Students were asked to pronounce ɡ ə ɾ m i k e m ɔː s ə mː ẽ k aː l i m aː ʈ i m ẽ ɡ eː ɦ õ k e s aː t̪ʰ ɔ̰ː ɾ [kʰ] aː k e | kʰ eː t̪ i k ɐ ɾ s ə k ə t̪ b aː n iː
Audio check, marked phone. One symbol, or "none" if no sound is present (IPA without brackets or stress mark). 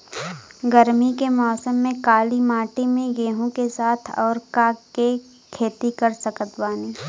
k